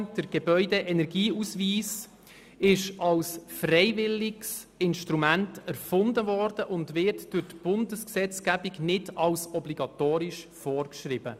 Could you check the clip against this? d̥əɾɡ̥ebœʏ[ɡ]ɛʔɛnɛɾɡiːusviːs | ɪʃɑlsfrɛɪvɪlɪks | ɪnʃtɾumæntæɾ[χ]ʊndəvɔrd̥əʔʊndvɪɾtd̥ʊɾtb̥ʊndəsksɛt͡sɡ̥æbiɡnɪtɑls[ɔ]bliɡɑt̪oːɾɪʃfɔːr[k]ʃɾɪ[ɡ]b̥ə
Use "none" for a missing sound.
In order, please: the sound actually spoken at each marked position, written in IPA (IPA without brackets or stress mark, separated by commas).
d, f, ɔ, k, none